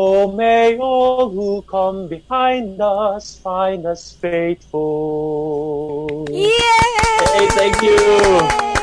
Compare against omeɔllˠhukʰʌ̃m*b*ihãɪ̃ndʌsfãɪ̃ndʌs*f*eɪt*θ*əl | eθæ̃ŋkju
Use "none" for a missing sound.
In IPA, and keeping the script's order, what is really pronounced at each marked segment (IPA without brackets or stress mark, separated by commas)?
b, f, f